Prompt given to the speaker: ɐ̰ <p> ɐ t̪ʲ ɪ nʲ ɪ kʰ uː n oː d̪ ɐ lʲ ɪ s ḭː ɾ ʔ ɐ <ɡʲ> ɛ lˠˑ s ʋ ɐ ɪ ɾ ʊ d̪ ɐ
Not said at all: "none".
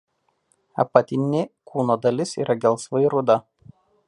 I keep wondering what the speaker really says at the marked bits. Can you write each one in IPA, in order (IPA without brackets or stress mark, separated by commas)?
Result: p, ɡʲ